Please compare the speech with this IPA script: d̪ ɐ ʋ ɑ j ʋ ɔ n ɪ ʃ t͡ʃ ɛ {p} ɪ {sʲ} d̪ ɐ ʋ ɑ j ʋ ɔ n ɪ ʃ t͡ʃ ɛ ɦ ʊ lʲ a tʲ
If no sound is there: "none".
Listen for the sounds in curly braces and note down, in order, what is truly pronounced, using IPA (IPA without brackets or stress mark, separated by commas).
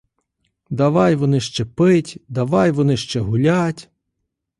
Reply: p, tʲ